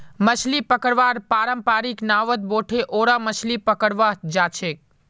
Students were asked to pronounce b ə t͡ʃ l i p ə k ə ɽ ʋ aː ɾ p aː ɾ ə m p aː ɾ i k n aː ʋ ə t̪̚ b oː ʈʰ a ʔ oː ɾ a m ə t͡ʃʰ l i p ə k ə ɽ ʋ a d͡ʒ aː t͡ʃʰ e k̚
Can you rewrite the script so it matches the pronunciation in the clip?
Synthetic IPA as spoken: m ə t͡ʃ l i p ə k ə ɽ ʋ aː ɾ p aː ɾ ə m p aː ɾ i k n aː ʋ ə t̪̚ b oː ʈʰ e ʔ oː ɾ a m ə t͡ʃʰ l i p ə k ə ɽ ʋ a d͡ʒ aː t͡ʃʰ e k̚